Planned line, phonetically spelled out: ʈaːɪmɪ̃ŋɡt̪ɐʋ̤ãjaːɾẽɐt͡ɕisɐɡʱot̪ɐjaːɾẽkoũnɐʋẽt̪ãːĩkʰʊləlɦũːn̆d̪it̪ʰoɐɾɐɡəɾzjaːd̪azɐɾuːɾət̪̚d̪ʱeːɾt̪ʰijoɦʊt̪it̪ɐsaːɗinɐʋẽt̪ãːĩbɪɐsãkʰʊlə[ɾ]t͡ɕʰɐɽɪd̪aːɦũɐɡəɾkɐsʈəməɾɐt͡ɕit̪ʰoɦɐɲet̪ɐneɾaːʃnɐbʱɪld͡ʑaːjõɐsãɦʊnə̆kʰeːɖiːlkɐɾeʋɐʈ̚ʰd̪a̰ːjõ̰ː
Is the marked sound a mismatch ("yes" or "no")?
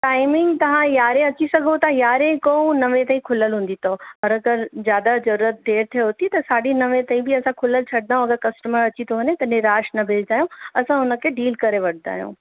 yes